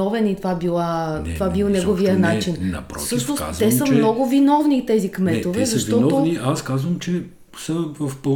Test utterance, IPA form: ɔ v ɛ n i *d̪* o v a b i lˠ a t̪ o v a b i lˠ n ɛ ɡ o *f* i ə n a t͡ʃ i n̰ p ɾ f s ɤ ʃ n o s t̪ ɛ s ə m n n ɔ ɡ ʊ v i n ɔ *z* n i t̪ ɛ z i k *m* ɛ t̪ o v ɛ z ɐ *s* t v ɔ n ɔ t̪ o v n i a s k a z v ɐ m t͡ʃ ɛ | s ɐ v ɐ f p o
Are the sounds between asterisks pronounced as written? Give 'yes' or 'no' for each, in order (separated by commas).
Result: no, no, no, yes, no